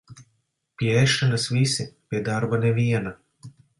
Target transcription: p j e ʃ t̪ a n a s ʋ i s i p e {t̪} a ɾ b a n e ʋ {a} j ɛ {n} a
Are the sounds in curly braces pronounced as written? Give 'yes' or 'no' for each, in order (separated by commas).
no, no, yes